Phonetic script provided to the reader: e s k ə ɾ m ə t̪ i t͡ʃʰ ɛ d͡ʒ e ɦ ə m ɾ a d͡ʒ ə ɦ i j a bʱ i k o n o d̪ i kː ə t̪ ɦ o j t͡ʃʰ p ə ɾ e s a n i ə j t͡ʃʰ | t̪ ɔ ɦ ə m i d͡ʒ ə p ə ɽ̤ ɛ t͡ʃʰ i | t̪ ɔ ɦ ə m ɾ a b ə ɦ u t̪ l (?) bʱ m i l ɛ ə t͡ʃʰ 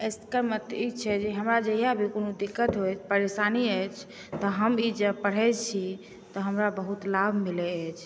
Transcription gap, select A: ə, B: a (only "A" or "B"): B